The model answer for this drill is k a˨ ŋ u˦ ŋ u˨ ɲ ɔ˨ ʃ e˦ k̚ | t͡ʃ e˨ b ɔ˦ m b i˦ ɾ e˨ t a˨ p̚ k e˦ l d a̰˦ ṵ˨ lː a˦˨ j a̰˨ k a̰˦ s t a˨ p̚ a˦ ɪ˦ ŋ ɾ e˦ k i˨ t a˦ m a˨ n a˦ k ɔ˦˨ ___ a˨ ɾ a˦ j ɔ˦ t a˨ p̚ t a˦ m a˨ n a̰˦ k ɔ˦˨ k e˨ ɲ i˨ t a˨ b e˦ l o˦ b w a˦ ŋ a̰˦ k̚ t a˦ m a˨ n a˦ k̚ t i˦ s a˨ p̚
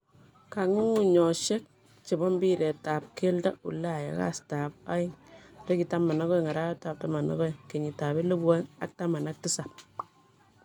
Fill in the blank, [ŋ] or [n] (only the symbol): ŋ